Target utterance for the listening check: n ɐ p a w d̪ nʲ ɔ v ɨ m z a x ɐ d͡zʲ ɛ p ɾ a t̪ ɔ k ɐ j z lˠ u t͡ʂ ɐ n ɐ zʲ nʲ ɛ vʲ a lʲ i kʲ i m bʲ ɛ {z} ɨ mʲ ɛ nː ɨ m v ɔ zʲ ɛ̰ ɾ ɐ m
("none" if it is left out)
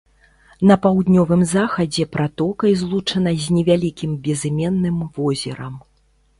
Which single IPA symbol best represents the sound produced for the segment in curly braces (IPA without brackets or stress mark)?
z